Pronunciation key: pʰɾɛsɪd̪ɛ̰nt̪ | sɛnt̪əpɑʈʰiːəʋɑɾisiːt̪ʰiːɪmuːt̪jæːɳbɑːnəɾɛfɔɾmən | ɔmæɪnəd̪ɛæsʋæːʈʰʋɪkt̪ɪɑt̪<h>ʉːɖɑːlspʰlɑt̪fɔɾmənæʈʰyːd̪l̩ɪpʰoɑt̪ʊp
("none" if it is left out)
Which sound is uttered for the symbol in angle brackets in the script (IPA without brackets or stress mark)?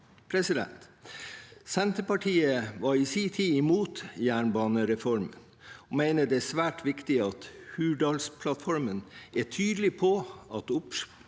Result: h